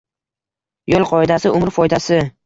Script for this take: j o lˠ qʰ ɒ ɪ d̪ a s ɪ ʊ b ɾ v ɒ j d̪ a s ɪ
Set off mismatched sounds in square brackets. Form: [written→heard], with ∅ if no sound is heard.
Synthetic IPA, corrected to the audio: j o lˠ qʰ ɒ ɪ d̪ a s ɪ ʊ [b→m] ɾ [v→f] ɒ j d̪ a s ɪ